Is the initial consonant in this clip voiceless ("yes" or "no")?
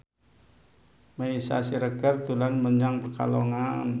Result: no